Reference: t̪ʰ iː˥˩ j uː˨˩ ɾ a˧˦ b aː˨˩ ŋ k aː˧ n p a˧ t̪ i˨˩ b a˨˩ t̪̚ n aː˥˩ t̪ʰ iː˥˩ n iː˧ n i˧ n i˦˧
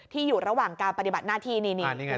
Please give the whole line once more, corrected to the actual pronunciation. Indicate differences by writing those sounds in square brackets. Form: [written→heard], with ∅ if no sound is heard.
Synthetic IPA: t̪ʰ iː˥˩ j uː˨˩ ɾ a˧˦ [b→w] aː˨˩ ŋ k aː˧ n p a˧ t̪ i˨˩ b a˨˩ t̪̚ n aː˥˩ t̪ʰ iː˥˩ n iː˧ n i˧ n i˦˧